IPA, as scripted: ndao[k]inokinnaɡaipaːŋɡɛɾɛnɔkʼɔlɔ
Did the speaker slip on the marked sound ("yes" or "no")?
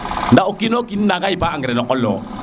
no